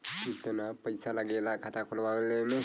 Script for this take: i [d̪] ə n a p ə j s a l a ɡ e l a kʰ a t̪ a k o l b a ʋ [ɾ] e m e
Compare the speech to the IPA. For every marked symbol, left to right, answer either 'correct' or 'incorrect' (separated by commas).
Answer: incorrect, incorrect